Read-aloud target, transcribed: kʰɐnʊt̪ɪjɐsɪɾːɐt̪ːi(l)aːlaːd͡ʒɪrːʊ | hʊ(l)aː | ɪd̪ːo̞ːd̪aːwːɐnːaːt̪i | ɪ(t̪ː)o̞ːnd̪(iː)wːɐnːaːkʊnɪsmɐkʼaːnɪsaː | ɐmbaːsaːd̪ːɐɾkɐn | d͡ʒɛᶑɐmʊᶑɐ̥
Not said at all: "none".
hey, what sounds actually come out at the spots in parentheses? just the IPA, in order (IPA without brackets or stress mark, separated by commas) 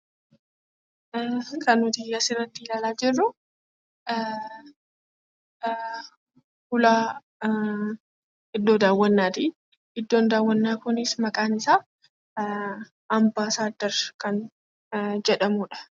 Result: l, l, d̪ː, aː